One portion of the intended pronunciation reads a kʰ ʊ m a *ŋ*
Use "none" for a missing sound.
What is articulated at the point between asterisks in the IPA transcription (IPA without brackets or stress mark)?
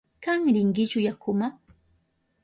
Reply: none